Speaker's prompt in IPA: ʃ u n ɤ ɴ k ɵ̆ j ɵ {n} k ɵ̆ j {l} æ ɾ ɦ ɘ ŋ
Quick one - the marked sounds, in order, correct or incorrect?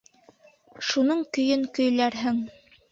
incorrect, correct

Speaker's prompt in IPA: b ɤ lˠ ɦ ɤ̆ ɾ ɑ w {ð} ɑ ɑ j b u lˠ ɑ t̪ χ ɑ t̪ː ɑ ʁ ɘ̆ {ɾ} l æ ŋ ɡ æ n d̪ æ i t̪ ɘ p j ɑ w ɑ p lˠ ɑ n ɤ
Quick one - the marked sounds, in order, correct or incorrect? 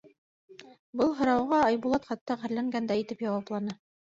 incorrect, correct

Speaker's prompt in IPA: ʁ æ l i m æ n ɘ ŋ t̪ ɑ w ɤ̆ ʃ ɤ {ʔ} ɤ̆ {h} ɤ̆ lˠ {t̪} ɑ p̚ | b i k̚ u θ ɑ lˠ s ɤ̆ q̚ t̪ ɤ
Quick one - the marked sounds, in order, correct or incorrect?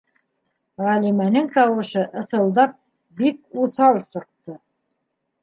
correct, incorrect, incorrect

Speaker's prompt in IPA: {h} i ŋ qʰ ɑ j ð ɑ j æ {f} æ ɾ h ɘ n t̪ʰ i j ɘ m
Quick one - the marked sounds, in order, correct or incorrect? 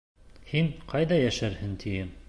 correct, incorrect

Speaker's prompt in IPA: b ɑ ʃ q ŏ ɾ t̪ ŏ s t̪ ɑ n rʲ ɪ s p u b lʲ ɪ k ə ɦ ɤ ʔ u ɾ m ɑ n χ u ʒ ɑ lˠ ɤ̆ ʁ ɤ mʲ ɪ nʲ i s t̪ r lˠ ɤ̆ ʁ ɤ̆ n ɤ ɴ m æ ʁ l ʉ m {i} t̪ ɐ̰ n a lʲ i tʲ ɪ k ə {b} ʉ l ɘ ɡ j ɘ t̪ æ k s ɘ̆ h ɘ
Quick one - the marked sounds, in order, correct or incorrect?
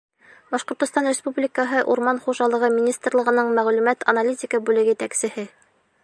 incorrect, correct

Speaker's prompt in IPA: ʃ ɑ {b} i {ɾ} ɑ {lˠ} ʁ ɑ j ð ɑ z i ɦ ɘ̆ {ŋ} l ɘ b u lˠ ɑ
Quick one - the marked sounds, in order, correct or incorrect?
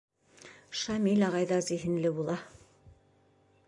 incorrect, incorrect, incorrect, incorrect

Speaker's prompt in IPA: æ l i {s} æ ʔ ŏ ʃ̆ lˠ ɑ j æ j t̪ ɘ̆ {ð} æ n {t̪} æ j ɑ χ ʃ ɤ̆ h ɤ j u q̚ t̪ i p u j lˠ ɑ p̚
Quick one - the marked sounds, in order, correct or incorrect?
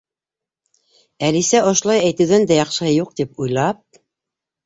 correct, correct, incorrect

